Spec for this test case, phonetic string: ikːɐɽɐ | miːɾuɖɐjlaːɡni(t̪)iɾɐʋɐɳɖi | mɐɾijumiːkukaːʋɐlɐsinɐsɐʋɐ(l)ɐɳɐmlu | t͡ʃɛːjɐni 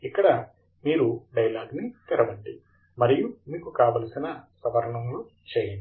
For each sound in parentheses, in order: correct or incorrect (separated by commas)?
correct, incorrect